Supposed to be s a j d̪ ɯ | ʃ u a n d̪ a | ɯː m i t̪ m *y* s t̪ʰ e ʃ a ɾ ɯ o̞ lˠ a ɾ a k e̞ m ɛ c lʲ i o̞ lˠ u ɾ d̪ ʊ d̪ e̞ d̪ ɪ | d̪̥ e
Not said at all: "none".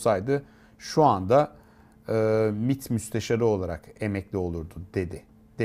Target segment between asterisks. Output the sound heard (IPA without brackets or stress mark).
y